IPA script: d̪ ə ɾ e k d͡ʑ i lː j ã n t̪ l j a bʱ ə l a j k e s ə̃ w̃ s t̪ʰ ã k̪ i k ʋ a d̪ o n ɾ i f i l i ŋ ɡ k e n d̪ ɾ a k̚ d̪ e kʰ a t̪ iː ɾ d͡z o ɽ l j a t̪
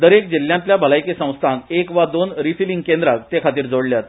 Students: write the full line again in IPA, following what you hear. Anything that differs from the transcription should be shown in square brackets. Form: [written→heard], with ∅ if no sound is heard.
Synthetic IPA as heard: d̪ ə ɾ e k d͡ʑ i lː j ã n t̪ l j a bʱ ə l a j k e s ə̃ w̃ s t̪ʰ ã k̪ [i→e] k ʋ a d̪ o n ɾ i f i l i ŋ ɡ k e n d̪ ɾ a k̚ [d̪→t̪] e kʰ a t̪ iː ɾ d͡z o ɽ l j a t̪

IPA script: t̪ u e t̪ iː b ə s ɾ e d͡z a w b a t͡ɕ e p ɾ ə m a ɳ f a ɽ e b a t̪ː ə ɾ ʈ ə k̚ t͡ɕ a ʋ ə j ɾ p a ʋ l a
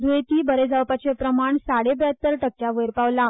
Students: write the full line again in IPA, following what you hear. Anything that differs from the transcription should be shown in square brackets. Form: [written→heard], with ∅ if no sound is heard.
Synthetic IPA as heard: [t̪→d̪] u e t̪ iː b ə [s→∅] ɾ e d͡z a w [b→p] a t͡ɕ e p ɾ ə m a ɳ [f→s] a ɽ e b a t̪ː ə ɾ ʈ ə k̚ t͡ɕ a ʋ ə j ɾ p a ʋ l a

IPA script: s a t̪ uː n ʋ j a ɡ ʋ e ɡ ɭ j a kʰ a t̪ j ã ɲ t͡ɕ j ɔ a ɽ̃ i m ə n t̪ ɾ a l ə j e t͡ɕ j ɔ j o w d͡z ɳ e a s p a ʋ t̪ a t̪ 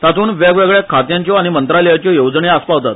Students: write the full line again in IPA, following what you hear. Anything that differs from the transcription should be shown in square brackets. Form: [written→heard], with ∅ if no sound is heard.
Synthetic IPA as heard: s a t̪ uː n ʋ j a ɡ ʋ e ɡ ɭ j a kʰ a t̪ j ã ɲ t͡ɕ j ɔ a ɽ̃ i m ə n t̪ ɾ a l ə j [e→a] t͡ɕ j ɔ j o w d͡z ɳ e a s p a ʋ t̪ a t̪

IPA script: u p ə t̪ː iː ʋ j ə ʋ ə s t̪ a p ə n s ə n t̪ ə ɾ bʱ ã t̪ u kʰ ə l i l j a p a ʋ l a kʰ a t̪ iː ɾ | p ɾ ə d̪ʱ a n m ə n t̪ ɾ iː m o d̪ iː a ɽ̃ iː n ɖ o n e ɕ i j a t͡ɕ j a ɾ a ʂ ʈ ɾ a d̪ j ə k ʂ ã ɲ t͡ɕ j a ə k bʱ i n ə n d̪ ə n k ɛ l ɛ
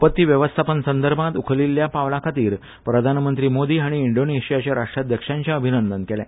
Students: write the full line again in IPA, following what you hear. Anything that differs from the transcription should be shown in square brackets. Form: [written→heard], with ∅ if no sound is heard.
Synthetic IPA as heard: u p ə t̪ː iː ʋ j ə ʋ ə s [t̪→t̪ʰ] a p ə n s ə n [t̪→d̪] ə ɾ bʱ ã t̪ u kʰ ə l i l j a p a ʋ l a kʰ a t̪ iː ɾ | p ɾ ə d̪ʱ a n m ə n t̪ ɾ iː m o d̪ iː a ɽ̃ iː [n→ɳ] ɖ o n e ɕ i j a t͡ɕ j a ɾ a ʂ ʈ ɾ a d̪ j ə k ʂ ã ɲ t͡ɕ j a ə [k→∅] bʱ i n ə n d̪ ə n k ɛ l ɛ

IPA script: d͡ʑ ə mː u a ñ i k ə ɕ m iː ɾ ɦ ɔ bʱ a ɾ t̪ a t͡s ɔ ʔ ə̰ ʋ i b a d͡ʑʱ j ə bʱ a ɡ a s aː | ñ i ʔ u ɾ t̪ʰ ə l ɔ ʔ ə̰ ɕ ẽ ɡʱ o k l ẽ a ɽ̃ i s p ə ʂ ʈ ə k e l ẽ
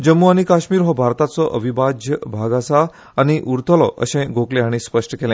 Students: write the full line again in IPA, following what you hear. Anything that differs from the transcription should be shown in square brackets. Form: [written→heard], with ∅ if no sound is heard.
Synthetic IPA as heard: d͡ʑ ə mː u a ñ i k [ə→a] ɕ m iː ɾ ɦ ɔ bʱ a ɾ t̪ a t͡s ɔ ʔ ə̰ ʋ i b a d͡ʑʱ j ə bʱ a ɡ a s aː | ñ i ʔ u ɾ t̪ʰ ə l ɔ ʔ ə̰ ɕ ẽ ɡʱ o k l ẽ a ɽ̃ i s p ə ʂ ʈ ə k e l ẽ

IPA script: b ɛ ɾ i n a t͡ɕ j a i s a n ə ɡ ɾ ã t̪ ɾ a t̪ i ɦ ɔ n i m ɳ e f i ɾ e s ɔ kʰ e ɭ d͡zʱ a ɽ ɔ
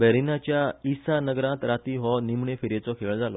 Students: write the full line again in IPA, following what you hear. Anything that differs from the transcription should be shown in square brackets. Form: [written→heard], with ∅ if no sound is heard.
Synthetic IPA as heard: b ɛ ɾ i n a t͡ɕ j a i s a n ə ɡ ɾ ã t̪ ɾ a t̪ i ɦ ɔ n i m ɳ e f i ɾ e [s→t͡s] ɔ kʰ e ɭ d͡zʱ a [ɽ→l] ɔ

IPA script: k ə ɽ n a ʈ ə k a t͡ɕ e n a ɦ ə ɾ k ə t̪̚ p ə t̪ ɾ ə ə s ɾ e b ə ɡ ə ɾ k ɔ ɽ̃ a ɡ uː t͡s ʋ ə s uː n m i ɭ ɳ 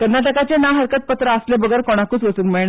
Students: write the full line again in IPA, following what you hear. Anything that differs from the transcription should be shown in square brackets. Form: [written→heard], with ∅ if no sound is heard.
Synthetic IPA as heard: k ə [ɽ→ɾ] n a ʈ ə k a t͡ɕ e n a ɦ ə ɾ k ə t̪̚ p ə t̪ ɾ ə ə s [ɾ→l] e b ə ɡ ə ɾ k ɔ ɽ̃ a [ɡ→k] uː t͡s ʋ ə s uː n m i ɭ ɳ

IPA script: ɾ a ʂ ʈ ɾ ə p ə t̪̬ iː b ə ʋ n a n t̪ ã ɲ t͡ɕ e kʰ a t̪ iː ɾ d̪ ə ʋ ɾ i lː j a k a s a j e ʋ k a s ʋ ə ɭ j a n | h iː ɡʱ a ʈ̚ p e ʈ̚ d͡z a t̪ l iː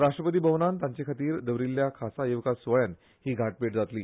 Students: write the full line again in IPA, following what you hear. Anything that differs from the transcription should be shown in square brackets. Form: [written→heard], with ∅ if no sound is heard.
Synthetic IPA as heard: ɾ a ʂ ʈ ɾ ə p ə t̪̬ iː b ə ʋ n a n t̪ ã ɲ t͡ɕ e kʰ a t̪ iː ɾ d̪ ə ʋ ɾ i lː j a [k→kʰ] a s a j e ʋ k a s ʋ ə ɭ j a n | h iː ɡʱ a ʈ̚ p e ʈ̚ d͡z a t̪ l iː

